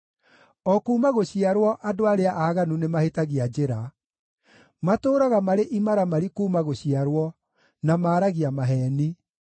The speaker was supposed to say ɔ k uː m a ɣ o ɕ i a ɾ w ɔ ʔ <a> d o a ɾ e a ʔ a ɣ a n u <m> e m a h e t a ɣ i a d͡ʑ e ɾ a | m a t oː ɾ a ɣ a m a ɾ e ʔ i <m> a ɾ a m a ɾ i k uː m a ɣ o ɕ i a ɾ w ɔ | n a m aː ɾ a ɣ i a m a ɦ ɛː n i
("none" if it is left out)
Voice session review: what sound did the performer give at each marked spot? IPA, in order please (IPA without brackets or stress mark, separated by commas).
a, n, m